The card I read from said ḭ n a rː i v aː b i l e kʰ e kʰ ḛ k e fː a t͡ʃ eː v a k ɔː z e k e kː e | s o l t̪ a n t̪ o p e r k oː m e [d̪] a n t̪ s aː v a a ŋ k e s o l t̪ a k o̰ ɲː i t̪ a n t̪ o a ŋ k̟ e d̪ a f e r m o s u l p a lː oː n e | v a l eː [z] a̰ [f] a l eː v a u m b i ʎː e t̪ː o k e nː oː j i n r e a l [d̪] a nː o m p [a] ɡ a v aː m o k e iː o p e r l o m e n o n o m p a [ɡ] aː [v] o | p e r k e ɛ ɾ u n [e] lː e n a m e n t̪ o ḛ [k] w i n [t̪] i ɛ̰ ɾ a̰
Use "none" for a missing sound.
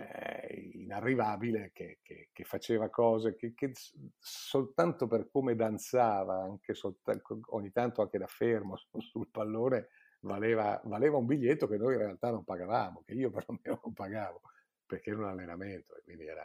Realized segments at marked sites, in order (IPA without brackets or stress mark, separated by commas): d̪, v, v, t̪, a, ɡ, v, a, k, d̪